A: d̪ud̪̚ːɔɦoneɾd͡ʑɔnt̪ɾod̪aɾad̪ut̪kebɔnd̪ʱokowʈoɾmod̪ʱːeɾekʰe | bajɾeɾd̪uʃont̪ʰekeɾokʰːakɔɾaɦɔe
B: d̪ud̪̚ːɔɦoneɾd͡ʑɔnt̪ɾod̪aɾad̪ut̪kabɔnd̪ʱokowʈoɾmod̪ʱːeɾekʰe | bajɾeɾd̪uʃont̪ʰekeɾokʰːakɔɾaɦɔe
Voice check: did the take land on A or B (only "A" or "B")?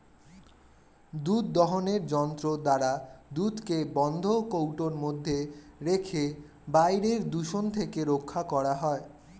A